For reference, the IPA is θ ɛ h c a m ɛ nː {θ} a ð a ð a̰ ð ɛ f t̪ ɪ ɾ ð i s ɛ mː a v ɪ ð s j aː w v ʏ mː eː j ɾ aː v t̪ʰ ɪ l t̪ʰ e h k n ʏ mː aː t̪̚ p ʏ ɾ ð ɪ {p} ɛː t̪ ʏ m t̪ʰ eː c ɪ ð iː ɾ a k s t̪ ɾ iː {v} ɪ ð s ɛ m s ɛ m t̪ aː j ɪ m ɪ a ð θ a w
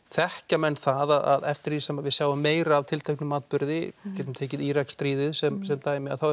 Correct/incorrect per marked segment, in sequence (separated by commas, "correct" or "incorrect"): correct, incorrect, incorrect